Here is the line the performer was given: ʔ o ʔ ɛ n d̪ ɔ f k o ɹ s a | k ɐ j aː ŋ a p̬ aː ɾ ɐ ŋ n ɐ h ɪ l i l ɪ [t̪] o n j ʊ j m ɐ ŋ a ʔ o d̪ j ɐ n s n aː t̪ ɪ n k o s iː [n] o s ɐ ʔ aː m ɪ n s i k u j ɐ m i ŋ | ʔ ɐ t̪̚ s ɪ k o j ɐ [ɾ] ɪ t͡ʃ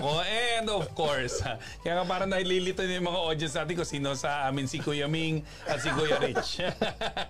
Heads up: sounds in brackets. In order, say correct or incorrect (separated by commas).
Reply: correct, correct, correct